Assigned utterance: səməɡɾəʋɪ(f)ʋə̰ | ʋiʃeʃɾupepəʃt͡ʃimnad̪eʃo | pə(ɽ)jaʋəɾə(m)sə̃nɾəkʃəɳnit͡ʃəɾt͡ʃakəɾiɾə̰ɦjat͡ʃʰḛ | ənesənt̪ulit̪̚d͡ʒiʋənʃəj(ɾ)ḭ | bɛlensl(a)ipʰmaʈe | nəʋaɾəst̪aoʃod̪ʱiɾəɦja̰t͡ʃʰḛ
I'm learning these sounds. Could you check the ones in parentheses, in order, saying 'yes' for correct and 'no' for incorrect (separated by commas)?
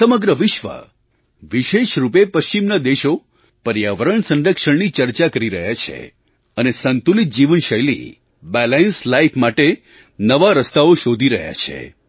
no, no, no, no, yes